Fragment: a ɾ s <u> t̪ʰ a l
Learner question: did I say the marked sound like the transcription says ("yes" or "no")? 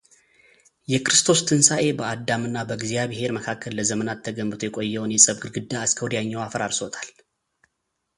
no